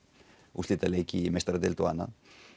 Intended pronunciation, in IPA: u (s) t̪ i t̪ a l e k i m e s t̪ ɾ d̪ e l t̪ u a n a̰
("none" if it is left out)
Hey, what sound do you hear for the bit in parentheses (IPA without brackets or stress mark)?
s